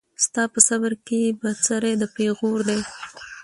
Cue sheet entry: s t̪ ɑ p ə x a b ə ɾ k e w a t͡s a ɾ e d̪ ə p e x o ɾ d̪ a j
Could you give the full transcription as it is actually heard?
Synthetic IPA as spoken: s t̪ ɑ p ə s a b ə ɾ k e b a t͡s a ɾ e d̪ ə p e ɣ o ɾ d̪ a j